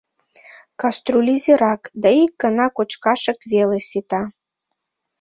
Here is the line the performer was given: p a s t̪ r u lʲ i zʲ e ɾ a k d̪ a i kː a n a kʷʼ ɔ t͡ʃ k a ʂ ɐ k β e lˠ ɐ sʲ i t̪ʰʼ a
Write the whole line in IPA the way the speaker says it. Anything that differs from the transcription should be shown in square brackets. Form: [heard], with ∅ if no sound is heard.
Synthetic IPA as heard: [k] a s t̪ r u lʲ i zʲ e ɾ a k d̪ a i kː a n a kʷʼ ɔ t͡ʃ k a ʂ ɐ k [v] e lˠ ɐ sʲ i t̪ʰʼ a